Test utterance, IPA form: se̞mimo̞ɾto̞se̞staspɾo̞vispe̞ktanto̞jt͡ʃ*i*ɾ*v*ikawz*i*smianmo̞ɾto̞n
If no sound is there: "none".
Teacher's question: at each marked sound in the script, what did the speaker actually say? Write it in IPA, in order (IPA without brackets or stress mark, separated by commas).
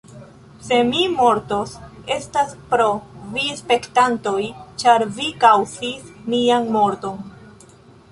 a, v, i